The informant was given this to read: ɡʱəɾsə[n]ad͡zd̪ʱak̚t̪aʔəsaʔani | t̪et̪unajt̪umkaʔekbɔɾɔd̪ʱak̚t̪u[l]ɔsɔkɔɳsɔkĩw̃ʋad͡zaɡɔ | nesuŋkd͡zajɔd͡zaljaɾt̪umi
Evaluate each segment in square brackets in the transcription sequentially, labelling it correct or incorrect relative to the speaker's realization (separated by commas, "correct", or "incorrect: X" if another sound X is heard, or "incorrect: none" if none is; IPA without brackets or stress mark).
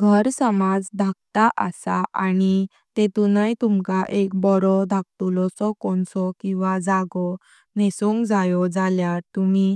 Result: incorrect: m, correct